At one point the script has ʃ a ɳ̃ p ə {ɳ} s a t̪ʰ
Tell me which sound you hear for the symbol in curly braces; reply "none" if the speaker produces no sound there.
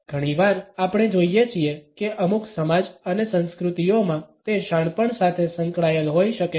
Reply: ɳ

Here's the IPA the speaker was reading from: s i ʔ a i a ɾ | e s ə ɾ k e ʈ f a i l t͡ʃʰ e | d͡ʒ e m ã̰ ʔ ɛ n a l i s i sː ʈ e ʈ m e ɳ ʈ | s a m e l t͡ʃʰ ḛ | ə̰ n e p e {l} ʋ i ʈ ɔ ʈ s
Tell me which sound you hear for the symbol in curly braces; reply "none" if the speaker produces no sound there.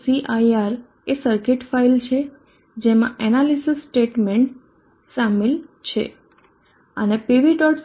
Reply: none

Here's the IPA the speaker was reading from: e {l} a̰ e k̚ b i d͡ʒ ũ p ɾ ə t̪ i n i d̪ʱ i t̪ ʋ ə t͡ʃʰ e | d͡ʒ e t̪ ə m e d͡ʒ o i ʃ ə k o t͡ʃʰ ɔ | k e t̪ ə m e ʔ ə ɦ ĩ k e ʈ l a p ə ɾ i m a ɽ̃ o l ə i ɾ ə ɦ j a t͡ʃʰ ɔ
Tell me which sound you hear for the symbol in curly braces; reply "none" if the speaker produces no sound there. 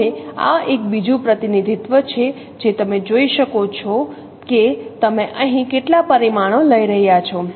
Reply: none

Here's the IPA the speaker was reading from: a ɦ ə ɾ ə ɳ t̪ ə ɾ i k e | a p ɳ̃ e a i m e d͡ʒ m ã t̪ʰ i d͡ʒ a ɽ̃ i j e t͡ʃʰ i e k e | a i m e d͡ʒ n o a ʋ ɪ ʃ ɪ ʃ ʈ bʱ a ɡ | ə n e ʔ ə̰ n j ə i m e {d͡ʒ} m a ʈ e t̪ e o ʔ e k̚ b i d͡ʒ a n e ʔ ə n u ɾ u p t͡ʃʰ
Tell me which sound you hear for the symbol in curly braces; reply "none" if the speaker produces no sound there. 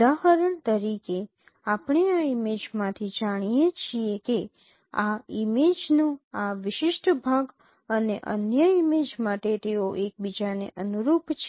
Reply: d͡ʒ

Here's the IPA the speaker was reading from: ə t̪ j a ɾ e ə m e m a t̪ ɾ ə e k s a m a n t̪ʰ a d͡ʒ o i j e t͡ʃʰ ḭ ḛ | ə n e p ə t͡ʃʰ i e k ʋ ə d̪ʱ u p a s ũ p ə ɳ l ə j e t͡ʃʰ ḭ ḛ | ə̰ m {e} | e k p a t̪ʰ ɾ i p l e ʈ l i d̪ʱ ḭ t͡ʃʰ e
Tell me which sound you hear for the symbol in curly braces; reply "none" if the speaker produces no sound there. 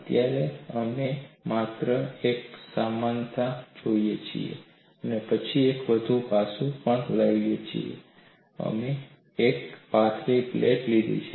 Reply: e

